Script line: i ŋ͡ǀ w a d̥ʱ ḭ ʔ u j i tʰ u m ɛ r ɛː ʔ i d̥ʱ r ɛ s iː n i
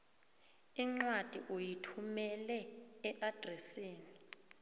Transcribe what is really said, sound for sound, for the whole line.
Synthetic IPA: i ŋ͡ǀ w a d̥ʱ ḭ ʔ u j i tʰ u m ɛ l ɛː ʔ a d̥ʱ r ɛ s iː n i